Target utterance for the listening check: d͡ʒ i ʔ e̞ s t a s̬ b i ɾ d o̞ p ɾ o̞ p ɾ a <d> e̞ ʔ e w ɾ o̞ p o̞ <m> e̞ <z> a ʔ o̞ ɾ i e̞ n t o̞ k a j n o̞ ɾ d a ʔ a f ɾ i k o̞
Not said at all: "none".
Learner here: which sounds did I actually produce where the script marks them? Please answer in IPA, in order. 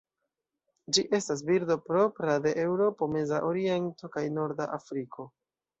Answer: d, m, z

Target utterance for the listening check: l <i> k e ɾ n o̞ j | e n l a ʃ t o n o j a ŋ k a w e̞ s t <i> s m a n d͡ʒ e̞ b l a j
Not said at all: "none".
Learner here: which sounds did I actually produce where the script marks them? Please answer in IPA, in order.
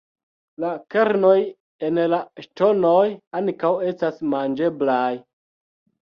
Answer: a, a

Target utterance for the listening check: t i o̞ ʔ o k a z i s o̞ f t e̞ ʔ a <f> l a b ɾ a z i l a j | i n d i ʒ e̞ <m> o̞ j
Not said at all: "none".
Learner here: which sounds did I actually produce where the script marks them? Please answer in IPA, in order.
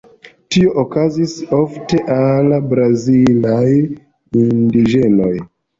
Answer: none, n

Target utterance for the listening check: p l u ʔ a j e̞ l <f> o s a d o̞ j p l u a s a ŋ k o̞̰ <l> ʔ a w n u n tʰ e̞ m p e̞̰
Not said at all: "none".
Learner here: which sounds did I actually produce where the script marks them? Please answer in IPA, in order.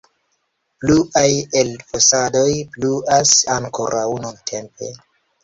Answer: f, ɾ

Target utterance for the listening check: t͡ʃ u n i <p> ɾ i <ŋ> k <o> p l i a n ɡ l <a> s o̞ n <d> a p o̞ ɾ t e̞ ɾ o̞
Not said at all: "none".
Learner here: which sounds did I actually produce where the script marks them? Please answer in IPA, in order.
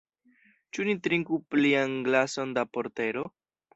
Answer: t, ŋ, u, a, d

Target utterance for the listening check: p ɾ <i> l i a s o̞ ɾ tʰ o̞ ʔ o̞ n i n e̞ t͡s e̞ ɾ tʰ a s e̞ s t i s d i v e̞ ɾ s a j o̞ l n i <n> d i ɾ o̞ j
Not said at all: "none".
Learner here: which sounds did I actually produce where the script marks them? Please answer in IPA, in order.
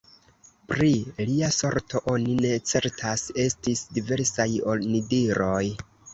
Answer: i, none

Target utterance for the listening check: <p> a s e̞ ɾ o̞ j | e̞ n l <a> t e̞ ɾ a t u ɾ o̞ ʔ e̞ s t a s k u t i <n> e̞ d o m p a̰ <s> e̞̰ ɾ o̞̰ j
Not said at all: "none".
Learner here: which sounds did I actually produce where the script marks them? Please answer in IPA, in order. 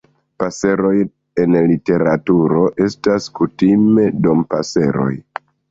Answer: p, i, m, s

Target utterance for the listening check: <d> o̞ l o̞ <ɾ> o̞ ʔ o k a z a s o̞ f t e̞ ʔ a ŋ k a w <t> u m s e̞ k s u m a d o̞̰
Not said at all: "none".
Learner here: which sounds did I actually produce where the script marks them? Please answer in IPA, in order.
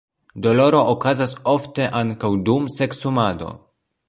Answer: d, ɾ, d

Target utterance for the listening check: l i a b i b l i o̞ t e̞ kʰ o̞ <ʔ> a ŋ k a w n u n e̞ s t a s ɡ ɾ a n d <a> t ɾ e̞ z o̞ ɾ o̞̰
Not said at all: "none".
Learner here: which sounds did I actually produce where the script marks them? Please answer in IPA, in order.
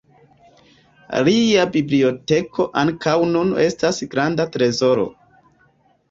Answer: ʔ, a

